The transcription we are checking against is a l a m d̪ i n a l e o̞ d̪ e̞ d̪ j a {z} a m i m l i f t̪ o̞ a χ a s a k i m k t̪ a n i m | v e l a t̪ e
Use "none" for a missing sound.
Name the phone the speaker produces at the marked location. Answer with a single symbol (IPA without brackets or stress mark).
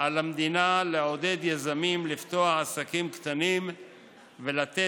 z